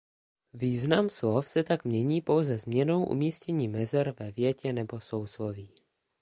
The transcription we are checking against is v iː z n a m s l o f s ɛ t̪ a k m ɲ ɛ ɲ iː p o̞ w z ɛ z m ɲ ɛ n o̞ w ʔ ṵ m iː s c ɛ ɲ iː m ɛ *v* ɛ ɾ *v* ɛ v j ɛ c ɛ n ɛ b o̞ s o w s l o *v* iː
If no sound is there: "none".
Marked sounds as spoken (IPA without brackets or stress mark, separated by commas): z, v, v